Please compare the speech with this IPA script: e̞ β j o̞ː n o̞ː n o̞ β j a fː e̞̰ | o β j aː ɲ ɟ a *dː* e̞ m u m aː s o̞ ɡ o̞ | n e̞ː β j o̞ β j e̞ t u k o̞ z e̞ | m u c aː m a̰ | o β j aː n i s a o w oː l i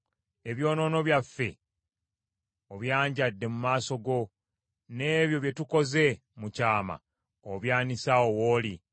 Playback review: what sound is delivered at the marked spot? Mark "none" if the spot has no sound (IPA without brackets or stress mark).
dː